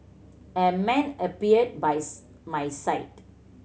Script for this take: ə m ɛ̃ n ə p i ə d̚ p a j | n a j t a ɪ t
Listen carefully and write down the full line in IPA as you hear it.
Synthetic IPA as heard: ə m ɛ̃ n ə p i ə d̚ b a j | m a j s a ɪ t